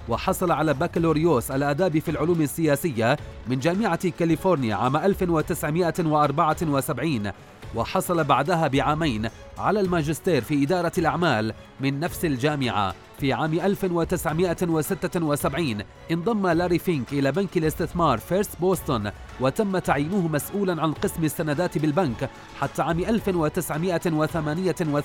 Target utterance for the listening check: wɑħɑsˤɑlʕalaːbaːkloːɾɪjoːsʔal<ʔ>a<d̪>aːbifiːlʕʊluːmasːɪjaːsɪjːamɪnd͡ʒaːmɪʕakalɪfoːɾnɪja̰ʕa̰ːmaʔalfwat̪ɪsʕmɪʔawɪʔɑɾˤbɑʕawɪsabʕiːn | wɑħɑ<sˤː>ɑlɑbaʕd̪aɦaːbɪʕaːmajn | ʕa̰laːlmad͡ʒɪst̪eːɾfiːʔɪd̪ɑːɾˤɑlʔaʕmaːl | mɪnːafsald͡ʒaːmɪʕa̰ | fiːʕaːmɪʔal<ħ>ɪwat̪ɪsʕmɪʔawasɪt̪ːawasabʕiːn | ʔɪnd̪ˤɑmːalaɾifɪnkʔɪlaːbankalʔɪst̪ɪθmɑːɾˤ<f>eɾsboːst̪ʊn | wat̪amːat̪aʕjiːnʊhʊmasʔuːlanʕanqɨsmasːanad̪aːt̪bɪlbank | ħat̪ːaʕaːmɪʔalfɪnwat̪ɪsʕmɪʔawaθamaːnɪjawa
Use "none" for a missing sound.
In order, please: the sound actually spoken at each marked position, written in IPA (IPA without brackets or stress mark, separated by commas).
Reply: ʔ, d̪, sˤ, f, f